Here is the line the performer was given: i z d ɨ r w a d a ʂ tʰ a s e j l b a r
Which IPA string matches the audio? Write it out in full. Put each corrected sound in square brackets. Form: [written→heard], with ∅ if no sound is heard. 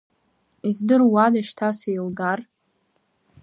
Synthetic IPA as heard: i z d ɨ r w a d a [ʂ→ʃ] tʰ a s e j l [b→ɡ] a r